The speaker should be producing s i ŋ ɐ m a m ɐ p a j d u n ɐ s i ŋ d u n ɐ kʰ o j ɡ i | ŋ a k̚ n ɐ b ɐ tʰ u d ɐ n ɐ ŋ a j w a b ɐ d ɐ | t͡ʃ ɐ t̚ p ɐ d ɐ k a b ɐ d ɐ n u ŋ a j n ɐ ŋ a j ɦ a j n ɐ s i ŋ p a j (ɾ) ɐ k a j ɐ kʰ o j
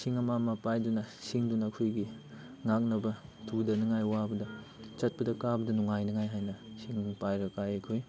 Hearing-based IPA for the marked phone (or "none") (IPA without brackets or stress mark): ɾ